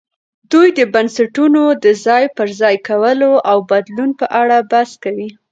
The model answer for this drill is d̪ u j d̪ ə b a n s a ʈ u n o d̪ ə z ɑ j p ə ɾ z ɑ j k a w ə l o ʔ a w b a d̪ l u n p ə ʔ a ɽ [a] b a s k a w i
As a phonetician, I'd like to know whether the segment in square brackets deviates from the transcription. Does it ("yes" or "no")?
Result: no